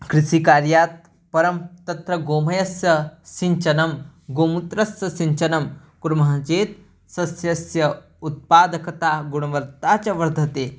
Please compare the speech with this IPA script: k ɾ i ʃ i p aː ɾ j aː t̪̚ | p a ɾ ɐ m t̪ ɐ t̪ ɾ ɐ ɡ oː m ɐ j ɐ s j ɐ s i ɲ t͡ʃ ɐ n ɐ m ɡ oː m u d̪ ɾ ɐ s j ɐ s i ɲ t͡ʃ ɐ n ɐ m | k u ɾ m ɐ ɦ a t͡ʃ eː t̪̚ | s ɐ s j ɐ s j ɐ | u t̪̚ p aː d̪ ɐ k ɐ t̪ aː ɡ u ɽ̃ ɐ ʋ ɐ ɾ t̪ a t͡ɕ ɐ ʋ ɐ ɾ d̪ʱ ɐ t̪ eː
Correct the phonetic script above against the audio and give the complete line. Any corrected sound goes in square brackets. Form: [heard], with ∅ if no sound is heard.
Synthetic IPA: k ɾ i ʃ i [k] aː ɾ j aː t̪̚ | p [ɐ] ɾ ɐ m t̪ ɐ t̪ ɾ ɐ ɡ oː m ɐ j ɐ s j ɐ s i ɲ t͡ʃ ɐ n ɐ m ɡ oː m u [t̪] ɾ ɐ s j ɐ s i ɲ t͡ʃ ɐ n ɐ m | k u ɾ m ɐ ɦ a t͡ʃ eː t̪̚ | s ɐ s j ɐ s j ɐ | u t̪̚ p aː d̪ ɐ k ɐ t̪ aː ɡ u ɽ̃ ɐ ʋ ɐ ɾ t̪ a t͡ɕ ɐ ʋ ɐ ɾ d̪ʱ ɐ t̪ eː